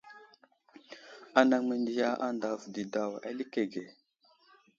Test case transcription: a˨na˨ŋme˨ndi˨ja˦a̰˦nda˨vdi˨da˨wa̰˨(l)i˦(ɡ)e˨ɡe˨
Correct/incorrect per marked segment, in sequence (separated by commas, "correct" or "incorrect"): correct, incorrect